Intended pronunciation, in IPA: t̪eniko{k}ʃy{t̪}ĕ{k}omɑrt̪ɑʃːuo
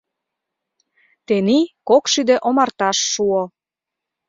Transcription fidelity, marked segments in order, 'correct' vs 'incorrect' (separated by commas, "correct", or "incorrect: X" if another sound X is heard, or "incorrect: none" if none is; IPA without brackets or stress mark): correct, incorrect: d̪, incorrect: ʔ